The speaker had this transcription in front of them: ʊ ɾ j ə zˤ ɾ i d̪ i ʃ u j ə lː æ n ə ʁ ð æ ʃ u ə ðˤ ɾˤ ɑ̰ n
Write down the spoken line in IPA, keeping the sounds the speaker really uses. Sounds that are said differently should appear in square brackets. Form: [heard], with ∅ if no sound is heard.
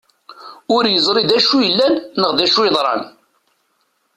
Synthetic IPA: ʊ ɾ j ə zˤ ɾ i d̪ [æ] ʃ u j ə lː æ [nː] ə ʁ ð æ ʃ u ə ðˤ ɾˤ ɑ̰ n